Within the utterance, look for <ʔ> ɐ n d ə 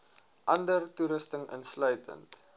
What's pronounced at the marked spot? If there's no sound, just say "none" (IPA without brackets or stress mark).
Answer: ʔ